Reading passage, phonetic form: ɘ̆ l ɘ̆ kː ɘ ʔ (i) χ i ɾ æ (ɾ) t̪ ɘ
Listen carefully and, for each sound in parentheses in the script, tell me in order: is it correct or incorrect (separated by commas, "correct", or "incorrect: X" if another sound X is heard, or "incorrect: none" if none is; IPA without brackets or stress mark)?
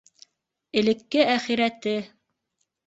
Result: incorrect: æ, incorrect: none